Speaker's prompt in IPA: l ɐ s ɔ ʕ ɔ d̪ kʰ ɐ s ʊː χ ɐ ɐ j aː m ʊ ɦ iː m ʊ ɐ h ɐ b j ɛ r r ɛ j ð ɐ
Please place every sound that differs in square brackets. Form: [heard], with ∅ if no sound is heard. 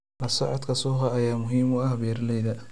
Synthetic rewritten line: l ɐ s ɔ ʕ ɔ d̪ kʰ ɐ s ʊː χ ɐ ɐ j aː m ʊ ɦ iː m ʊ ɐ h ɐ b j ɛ r [l] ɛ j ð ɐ